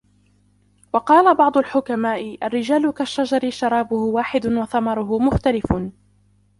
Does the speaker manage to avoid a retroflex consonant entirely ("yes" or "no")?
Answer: yes